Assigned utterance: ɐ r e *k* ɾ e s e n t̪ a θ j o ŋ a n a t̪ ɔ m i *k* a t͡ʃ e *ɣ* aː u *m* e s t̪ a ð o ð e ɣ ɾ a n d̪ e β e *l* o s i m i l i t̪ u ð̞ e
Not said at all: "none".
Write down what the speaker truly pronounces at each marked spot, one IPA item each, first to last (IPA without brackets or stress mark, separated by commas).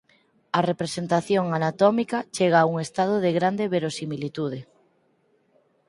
p, k, ɣ, ŋ, ɾ